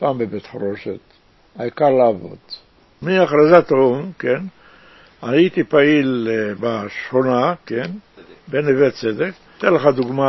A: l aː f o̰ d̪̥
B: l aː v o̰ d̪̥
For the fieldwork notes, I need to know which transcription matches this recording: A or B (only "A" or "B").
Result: B